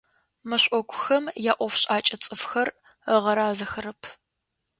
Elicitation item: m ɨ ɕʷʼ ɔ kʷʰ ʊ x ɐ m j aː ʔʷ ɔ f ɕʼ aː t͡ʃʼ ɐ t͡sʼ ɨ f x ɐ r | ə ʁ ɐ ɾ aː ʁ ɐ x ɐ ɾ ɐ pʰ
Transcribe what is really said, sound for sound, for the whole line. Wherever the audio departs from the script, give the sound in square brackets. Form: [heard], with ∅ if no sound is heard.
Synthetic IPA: m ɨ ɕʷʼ ɔ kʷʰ ʊ x ɐ m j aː ʔʷ ɔ f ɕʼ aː t͡ʃʼ ɐ t͡sʼ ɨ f x ɐ r | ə ʁ ɐ ɾ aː [z] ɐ x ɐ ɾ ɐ pʰ